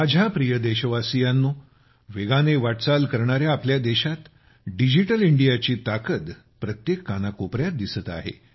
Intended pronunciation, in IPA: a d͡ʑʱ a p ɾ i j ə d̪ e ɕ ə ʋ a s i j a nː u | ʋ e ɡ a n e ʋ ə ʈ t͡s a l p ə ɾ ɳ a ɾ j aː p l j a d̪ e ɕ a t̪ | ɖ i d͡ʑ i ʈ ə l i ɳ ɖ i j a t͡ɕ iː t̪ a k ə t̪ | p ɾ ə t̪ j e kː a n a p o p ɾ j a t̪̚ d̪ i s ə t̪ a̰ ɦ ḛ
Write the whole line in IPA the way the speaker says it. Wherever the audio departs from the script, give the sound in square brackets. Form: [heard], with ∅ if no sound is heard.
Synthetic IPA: a d͡ʑʱ a p ɾ i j ə d̪ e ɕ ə ʋ a s i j a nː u | ʋ e ɡ a n e ʋ [a] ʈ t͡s a l [k] ə ɾ ɳ a ɾ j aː p l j a d̪ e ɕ a t̪ | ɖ i d͡ʑ i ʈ ə l i ɳ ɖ i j a t͡ɕ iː t̪ a k ə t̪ | p ɾ ə t̪ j e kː a n a [k] o p ɾ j a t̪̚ d̪ i s ə t̪ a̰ ɦ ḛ